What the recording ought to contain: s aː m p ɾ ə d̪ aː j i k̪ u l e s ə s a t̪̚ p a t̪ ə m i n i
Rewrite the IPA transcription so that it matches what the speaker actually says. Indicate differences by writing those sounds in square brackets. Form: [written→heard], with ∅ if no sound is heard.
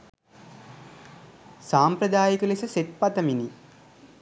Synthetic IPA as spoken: s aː m p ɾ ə d̪ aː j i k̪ u l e s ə s [a→e] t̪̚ p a t̪ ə m i n i

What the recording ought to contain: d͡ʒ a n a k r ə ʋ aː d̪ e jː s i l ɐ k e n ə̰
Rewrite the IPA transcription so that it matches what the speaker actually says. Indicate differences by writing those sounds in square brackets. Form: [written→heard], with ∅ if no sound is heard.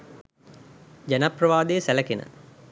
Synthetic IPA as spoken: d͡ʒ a n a [k→p] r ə ʋ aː d̪ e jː s [i→æ] l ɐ k e n ə̰

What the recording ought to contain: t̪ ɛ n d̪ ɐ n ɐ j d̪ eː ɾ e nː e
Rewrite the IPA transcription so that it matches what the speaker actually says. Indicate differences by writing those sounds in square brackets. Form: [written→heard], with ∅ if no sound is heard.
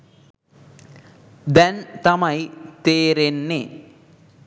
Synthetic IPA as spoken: [t̪→d̪] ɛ n [d̪→t̪] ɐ [n→m] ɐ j [d̪→t̪] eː ɾ e nː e

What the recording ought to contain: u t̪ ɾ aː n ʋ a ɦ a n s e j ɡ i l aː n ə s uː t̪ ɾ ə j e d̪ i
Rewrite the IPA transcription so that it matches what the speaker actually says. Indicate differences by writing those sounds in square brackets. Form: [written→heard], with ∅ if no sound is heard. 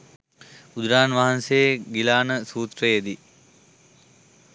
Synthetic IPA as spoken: u [t̪→d̪] ɾ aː n ʋ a ɦ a n s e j ɡ i l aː n ə s uː t̪ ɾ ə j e d̪ i

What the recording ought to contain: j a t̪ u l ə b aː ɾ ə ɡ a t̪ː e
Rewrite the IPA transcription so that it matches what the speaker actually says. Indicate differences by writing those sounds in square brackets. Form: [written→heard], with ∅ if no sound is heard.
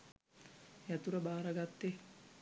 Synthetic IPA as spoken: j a t̪ u [l→ɾ] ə b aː ɾ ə ɡ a t̪ː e

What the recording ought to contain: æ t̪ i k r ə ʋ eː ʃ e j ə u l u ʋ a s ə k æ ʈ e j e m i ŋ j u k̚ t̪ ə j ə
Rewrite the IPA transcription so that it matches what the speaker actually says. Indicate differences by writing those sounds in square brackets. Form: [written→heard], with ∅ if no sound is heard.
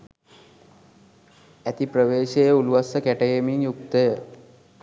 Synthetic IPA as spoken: æ t̪ i [k→p] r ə ʋ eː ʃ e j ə u l u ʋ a s ə k æ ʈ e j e m i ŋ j u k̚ t̪ ə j ə

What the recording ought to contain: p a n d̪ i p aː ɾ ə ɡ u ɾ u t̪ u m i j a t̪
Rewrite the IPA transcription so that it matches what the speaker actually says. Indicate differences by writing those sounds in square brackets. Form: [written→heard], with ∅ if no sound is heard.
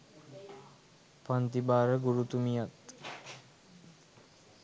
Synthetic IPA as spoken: p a n [d̪→t̪] i [p→b] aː ɾ ə ɡ u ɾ u t̪ u m i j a t̪

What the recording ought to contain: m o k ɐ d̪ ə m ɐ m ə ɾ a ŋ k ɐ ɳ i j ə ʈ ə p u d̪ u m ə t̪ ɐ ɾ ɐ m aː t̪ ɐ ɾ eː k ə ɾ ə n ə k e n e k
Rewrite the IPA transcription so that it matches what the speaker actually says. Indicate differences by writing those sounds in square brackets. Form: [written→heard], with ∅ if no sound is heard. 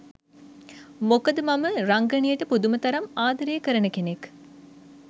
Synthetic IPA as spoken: m o k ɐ d̪ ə m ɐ m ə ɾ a ŋ [k→ɡ] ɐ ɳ i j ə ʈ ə p u d̪ u m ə t̪ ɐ ɾ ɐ m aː [t̪→d̪] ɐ ɾ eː k ə ɾ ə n ə k e n e k

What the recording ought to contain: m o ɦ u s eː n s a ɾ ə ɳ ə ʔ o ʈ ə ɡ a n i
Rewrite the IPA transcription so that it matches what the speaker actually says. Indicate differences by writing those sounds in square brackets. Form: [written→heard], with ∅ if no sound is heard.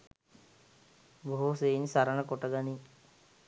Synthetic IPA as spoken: [m→b] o ɦ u s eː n s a ɾ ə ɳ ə [ʔ→k] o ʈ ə ɡ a n i

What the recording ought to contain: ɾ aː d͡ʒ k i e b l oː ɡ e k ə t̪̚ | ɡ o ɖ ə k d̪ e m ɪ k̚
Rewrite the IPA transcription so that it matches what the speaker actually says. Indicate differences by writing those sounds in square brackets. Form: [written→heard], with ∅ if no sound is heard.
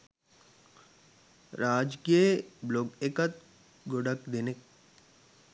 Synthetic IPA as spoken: ɾ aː d͡ʒ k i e b l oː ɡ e k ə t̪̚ | ɡ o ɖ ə k d̪ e [m→n] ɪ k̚

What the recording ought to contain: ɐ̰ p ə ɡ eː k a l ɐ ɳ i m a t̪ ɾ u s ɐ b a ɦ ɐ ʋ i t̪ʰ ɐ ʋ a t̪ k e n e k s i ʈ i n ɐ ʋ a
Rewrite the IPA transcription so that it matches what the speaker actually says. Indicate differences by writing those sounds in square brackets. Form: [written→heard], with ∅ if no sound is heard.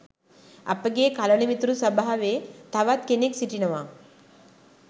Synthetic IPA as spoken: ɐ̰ p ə ɡ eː k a l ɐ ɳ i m [a→i] t̪ ɾ u s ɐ b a ɦ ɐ ʋ [i→e] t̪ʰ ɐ ʋ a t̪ k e n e k s i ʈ i n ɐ ʋ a

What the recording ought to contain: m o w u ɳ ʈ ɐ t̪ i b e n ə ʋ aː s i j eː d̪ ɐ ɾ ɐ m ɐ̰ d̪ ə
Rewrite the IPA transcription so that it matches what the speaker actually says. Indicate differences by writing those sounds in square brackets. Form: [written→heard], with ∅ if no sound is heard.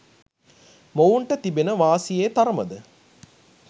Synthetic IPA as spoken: m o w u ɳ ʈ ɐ t̪ i b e n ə ʋ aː s i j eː [d̪→t̪] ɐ ɾ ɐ m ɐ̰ d̪ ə

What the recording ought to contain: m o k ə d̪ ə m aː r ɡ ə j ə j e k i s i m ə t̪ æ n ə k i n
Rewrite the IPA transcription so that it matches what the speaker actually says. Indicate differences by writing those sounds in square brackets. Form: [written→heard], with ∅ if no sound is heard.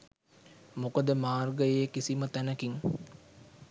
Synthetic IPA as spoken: m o k ə d̪ ə m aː r ɡ ə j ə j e k i s i m ə t̪ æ n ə k i [n→ŋ]

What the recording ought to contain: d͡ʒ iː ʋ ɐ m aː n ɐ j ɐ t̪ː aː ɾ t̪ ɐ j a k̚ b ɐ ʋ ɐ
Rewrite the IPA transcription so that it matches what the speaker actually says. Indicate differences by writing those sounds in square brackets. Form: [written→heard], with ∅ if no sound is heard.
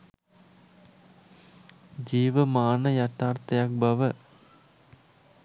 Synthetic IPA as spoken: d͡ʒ iː ʋ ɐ m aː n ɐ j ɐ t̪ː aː ɾ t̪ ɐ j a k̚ b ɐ ʋ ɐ

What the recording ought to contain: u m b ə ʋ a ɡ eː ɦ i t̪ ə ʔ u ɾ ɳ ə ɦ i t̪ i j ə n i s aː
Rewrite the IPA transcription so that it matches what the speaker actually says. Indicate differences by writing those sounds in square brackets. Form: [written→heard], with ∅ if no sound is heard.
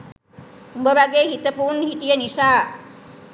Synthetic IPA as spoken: u m b ə ʋ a ɡ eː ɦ i t̪ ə [ʔ→p] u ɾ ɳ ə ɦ i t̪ i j ə n i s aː

